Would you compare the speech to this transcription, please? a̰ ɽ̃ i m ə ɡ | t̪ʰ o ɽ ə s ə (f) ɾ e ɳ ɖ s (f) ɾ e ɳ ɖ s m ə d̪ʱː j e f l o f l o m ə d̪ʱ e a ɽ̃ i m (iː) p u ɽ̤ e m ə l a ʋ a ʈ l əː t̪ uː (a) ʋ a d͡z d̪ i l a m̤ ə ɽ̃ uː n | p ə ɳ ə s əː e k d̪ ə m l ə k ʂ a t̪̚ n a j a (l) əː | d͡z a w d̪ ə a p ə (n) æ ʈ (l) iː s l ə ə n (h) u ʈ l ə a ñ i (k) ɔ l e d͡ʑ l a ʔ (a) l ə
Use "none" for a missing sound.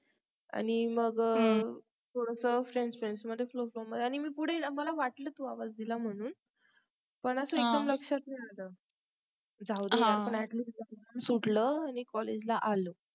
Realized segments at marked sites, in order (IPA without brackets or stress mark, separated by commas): f, f, iː, a, l, ɳ, l, s, k, a